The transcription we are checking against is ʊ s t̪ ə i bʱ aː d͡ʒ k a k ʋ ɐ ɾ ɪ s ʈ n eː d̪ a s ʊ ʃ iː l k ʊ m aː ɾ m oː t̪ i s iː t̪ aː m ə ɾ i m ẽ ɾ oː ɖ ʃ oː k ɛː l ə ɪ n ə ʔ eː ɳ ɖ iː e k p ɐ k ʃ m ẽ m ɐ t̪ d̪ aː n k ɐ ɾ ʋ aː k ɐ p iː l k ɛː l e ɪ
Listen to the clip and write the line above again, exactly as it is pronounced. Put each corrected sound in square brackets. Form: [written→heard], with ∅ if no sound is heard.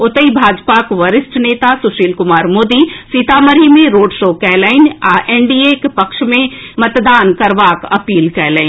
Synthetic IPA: ʊ [s→∅] t̪ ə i bʱ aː d͡ʒ [k→p] a k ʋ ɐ ɾ ɪ s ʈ n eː [d̪→t̪] a s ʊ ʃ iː l k ʊ m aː ɾ m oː [t̪→d̪] i s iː t̪ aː m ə ɾ i m ẽ ɾ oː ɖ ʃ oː k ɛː l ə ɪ n [ə→a] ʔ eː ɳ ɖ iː e k p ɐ k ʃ m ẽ m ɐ t̪ d̪ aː n k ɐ ɾ ʋ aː k ɐ p iː l k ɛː l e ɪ